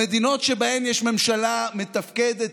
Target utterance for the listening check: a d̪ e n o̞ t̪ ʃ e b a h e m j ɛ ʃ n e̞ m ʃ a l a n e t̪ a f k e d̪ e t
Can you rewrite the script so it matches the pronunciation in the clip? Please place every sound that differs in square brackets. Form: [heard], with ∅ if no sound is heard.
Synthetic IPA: [e] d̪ [i] n o̞ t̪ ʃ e b a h e m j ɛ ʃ [m] e̞ m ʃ a l a [m] e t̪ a f k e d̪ e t